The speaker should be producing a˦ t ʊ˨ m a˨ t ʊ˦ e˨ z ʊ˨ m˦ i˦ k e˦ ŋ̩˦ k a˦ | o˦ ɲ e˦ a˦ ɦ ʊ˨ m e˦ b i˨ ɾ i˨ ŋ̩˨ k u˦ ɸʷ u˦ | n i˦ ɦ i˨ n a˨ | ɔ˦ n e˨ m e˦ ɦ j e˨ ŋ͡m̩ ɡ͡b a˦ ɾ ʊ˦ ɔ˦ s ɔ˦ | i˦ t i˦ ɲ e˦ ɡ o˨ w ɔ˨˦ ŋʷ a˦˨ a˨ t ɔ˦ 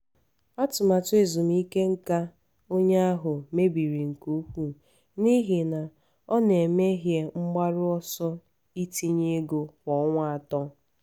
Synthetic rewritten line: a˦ t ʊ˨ m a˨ t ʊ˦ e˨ z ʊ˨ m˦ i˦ k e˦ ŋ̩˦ k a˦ | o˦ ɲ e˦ a˦ ɦ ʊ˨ m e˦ b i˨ ɾ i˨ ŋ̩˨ k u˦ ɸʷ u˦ | n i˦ ɦ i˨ n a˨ | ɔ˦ n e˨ m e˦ ɦ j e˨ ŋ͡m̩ ɡ͡b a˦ ɾ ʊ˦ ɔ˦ s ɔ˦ | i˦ t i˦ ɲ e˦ ɡ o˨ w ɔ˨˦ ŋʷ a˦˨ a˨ t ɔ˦